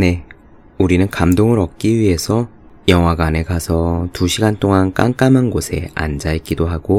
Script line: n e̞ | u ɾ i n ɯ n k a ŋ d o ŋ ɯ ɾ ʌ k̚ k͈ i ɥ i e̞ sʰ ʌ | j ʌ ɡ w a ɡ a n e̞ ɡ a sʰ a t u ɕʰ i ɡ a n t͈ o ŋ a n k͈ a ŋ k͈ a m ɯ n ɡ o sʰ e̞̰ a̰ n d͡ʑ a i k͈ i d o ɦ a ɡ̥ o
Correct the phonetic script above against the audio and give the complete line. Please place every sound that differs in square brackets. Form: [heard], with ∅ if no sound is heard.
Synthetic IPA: n e̞ | u ɾ i n ɯ n k a [m] d o ŋ ɯ ɾ ʌ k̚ k͈ i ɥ i e̞ sʰ ʌ | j ʌ [ŋ] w a ɡ a n e̞ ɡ a sʰ [ʌ] t u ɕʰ i ɡ a n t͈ o ŋ a n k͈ a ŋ k͈ a m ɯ n ɡ o sʰ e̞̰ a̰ n d͡ʑ a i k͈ i d o ɦ a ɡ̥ o